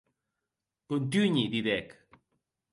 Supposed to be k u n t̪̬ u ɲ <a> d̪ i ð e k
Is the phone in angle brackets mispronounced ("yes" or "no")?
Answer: yes